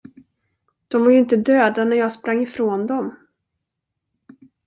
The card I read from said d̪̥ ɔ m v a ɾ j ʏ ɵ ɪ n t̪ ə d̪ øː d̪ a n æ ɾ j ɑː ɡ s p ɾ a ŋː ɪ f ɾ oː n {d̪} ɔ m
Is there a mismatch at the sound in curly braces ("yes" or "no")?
no